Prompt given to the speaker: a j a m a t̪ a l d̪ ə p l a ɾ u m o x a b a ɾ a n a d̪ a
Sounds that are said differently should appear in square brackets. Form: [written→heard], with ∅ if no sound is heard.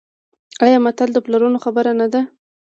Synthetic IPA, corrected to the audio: a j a m a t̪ a l d̪ ə p l a ɾ u [m→n] o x a b [a→ə] ɾ a n a d̪ a